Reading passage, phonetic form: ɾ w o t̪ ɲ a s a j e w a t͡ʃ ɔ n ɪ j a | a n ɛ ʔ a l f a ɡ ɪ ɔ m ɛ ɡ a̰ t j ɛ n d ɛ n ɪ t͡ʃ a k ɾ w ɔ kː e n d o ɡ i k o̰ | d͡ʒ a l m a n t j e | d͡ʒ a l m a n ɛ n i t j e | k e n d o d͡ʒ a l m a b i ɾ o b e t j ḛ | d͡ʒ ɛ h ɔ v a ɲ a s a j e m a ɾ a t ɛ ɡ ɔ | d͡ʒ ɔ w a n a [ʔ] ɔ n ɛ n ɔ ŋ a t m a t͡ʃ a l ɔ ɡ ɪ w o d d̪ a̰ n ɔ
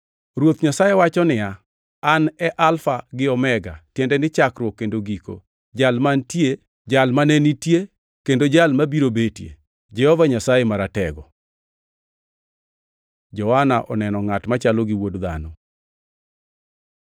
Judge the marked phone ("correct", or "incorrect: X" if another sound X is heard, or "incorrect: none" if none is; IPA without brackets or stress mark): correct